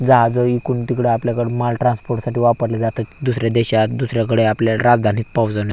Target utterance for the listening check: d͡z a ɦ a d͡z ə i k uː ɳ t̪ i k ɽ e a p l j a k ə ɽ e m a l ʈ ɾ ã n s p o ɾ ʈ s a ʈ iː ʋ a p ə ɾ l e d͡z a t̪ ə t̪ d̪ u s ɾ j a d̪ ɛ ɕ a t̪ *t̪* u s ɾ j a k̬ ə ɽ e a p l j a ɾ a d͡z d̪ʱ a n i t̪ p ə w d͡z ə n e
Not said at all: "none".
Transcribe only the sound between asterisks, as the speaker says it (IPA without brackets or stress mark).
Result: d̪